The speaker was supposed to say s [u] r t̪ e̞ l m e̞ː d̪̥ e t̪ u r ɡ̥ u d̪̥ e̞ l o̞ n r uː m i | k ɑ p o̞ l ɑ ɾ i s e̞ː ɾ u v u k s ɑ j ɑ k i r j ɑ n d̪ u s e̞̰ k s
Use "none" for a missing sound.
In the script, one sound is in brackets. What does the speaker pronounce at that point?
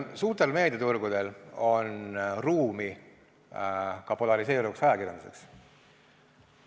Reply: uː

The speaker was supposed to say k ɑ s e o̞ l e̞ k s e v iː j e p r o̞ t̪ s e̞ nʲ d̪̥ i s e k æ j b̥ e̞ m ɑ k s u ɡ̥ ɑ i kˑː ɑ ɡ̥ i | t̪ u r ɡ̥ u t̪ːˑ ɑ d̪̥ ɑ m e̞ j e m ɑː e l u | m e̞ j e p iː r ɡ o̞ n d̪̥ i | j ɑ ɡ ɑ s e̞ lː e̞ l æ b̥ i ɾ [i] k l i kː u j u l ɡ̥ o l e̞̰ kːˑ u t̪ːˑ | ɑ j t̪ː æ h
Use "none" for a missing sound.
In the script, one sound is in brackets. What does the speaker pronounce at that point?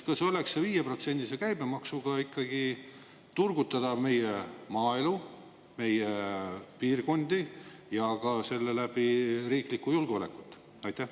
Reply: iː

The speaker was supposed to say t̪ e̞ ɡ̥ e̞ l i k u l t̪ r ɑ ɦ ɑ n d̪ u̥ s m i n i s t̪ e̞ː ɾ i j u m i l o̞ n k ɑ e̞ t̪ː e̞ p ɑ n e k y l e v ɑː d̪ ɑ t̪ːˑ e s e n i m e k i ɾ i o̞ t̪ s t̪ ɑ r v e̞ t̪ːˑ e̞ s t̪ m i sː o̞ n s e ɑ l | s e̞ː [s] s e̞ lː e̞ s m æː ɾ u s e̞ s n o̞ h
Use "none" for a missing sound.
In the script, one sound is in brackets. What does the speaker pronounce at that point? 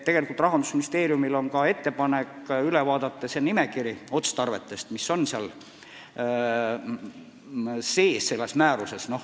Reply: s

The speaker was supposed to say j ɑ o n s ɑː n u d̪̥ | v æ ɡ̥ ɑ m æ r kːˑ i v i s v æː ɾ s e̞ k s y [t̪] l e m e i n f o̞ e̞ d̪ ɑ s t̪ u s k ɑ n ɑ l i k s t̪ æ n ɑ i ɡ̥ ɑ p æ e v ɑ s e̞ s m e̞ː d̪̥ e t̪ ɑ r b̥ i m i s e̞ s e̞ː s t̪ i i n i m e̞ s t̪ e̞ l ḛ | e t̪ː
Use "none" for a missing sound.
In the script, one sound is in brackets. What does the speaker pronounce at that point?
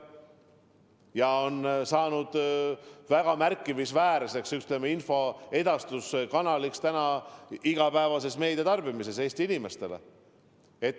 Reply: t̪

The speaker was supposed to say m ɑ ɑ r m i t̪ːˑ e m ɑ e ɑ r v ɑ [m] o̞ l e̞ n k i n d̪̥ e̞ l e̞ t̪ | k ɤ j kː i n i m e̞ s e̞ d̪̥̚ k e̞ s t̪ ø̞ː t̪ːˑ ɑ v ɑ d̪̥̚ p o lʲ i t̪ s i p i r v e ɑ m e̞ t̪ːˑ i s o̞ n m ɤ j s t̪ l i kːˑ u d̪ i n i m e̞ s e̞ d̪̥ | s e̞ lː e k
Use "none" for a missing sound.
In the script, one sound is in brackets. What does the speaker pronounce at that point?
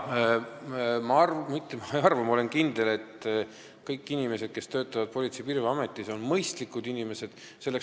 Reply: m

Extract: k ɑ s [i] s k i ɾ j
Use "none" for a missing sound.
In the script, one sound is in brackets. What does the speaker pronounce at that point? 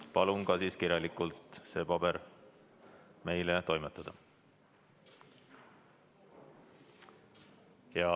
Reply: iː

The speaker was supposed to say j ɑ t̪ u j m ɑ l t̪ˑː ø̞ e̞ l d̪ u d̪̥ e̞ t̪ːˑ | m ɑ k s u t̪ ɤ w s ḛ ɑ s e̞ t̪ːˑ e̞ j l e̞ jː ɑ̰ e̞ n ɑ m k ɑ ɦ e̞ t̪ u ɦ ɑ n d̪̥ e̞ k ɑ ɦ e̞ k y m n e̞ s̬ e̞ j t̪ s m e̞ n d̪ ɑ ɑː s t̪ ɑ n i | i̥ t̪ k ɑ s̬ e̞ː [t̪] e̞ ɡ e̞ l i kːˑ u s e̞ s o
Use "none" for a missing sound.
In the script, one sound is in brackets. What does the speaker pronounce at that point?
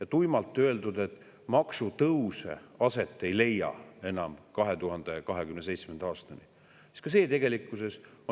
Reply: t̪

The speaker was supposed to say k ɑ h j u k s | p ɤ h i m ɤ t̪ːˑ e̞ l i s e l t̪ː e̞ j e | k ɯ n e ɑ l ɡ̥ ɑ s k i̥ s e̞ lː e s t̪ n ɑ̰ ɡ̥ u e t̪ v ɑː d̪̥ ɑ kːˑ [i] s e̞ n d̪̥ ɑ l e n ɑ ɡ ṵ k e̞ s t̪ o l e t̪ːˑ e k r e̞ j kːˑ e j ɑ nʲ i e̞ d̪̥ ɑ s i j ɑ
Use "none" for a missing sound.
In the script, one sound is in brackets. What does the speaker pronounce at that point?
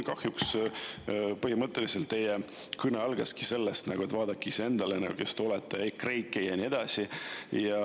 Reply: i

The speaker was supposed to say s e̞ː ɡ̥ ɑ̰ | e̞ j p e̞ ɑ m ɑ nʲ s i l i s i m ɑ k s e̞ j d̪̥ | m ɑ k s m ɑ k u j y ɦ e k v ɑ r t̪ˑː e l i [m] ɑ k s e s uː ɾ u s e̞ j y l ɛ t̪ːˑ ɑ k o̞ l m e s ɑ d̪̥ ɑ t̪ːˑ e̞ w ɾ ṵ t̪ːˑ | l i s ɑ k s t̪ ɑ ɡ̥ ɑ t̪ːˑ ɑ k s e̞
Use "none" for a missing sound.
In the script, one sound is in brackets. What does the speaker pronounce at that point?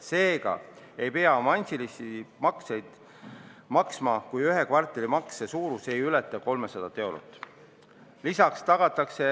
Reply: m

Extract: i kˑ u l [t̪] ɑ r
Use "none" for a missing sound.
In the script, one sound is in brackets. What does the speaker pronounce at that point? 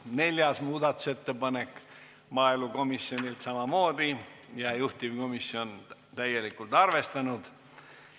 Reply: t̪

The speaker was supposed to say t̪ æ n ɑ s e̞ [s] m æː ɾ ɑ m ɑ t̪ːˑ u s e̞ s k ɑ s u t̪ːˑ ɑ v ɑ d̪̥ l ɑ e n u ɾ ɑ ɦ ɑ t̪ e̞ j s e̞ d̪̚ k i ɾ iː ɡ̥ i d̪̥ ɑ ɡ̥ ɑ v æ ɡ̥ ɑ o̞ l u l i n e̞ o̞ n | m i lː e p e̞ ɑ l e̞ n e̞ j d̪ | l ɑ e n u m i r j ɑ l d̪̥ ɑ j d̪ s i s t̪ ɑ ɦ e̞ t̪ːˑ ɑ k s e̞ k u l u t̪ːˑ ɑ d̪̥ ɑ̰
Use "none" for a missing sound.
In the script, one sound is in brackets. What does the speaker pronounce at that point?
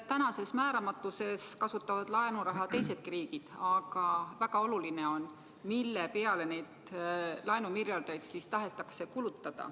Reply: s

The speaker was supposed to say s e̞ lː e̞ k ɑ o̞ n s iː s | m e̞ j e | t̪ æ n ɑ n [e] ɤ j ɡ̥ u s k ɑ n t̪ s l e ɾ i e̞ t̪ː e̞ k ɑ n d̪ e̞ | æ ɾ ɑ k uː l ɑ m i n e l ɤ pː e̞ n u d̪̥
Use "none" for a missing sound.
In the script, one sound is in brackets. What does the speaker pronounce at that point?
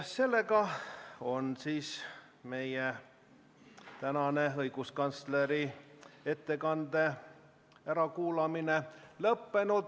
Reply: e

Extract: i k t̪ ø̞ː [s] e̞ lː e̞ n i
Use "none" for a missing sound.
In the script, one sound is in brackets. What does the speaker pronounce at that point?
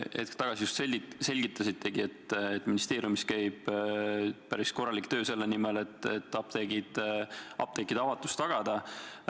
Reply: s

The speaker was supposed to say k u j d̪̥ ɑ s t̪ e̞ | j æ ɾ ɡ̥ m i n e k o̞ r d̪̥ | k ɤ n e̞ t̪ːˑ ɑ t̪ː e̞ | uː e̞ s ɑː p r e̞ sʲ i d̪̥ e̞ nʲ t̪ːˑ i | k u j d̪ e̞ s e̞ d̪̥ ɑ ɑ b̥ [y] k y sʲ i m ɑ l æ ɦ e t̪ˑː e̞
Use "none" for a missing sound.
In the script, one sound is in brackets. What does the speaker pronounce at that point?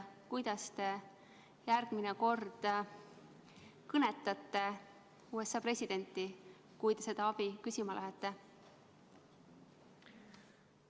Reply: i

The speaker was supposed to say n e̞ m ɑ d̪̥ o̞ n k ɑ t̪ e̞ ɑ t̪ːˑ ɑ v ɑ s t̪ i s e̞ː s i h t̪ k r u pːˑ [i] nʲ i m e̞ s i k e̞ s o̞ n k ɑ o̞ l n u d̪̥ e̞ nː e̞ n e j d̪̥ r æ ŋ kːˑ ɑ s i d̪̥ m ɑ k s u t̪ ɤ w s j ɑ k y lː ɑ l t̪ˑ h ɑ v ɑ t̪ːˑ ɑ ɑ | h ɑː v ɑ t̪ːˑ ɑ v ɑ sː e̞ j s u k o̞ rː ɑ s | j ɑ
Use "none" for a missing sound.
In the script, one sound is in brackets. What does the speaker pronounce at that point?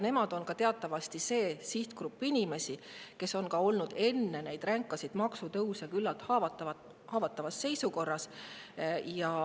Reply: i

